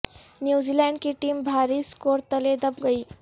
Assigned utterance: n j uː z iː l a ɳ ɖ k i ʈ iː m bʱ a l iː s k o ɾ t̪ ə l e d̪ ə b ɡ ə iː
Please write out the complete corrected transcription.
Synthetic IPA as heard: n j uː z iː l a ɳ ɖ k i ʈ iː m bʱ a ɾ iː s k o ɾ t̪ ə l e d̪ ə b ɡ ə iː